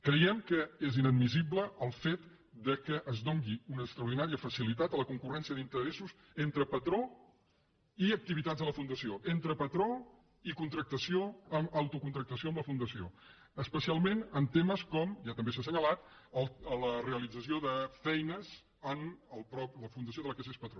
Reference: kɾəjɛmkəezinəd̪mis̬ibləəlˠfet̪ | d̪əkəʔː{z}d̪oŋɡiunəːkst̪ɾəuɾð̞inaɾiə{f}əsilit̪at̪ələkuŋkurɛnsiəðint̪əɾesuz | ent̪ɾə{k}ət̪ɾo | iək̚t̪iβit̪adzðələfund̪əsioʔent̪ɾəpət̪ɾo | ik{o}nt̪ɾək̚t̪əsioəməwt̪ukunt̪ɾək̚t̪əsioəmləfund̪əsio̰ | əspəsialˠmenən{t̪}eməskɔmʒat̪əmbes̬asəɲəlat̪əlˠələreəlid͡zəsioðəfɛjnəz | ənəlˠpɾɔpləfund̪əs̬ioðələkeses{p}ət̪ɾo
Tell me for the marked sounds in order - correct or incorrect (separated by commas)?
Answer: correct, correct, incorrect, incorrect, correct, correct